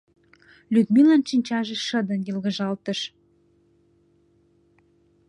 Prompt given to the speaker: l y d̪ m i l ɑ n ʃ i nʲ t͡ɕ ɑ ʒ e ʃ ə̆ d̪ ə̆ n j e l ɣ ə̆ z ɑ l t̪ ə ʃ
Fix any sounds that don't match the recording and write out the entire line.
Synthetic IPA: l y d̪ m i l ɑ n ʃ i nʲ t͡ɕ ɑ ʒ e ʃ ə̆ d̪ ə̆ n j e l ɣ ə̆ ʒ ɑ l t̪ ə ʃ